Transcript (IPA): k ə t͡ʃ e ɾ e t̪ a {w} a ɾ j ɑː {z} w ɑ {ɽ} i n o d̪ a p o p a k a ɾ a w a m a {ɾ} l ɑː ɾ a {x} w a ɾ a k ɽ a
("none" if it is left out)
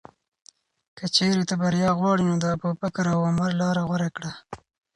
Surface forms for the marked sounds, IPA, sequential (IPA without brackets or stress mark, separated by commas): b, ɣ, ɽ, ɾ, ɣ